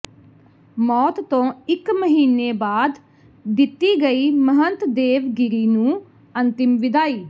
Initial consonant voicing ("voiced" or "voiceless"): voiced